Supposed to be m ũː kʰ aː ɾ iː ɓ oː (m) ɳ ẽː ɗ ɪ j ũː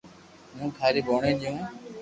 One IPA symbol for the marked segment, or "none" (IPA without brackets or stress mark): none